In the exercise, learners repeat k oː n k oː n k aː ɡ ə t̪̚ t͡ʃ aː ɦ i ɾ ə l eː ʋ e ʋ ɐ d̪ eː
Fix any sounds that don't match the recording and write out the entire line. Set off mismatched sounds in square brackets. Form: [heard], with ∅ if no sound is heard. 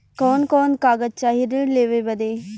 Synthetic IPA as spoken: k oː n k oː n k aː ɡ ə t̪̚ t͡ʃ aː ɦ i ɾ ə l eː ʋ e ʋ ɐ d̪ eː